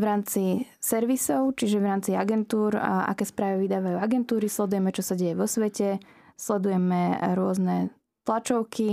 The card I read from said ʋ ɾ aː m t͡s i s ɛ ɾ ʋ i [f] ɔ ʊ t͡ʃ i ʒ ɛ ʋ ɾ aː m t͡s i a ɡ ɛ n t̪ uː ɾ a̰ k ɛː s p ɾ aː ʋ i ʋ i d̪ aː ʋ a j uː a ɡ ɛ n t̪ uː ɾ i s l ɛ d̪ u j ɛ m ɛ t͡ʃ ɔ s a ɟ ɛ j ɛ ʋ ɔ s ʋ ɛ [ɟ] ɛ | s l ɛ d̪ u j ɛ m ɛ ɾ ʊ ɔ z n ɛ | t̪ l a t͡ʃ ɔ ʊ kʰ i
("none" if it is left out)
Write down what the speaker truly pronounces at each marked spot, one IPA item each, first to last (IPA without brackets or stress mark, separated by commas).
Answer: s, c